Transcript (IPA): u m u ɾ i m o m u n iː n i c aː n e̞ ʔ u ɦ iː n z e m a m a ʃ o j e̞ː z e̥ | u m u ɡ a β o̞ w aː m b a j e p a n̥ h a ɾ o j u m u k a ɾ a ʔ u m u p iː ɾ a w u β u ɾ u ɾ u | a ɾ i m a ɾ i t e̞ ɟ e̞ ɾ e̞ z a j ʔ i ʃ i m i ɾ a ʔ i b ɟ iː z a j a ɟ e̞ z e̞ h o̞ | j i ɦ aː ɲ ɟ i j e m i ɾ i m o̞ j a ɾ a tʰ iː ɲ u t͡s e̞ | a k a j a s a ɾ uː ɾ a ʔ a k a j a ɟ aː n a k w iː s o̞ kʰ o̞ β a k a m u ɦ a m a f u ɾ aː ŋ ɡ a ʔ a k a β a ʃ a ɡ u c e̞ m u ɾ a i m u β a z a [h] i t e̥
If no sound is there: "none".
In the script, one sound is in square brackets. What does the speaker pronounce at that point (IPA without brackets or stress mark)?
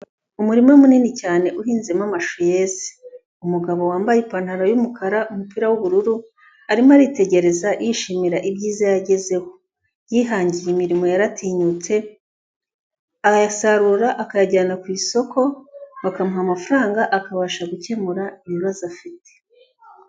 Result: f